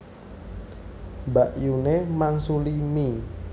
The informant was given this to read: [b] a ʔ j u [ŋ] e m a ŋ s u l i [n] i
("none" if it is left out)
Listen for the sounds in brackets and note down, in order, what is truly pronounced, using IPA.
b, n, m

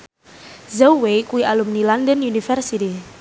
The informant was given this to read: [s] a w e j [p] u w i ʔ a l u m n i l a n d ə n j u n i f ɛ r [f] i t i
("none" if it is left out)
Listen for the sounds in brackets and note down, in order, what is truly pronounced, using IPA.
z, k, s

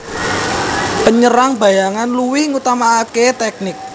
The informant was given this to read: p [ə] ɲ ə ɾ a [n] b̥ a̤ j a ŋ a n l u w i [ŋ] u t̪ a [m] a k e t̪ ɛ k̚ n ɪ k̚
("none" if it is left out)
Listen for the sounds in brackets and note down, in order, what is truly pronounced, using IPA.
ə, ŋ, ŋ, m

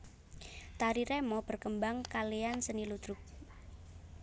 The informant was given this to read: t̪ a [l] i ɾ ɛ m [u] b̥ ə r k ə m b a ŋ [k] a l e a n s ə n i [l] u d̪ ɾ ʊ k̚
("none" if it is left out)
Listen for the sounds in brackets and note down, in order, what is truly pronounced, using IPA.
ɾ, ɔ, k, l

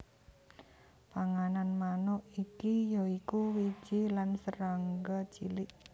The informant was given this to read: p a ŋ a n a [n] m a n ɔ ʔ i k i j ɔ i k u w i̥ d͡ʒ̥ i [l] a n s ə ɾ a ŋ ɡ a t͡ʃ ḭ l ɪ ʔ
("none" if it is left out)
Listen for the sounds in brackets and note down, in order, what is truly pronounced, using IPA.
n, l

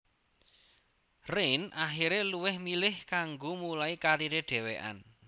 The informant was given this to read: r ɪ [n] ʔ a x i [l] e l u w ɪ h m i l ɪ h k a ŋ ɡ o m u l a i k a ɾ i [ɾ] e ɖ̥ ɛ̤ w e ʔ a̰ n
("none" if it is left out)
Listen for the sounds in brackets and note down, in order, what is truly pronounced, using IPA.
n, ɾ, ɾ

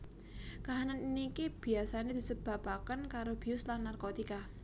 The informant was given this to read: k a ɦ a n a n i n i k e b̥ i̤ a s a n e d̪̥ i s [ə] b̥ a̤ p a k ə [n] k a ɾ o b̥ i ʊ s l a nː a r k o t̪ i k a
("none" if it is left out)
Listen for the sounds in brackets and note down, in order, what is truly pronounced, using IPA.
ə, n

